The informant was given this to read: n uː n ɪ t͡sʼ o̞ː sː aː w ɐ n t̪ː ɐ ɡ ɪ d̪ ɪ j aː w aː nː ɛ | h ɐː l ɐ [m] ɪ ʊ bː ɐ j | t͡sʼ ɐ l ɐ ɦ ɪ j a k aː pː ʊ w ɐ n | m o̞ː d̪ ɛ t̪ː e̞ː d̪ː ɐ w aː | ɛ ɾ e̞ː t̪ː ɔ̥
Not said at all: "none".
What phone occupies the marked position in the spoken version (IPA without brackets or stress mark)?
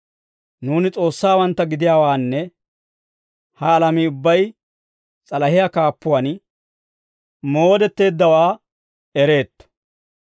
m